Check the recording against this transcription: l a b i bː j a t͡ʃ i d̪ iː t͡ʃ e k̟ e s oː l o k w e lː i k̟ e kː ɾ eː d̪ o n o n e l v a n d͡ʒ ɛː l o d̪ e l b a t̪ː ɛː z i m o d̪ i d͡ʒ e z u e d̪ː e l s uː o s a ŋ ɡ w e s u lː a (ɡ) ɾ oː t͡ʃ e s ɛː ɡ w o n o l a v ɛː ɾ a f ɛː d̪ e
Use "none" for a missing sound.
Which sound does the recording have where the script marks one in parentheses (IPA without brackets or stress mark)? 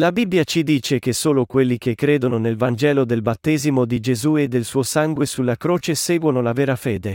k